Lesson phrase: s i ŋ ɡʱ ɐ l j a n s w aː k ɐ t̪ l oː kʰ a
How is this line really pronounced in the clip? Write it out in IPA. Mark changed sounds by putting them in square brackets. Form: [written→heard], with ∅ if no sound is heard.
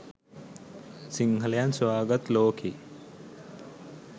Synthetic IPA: s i ŋ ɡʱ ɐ l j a n s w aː [k→ɡ] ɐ t̪ l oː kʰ [a→i]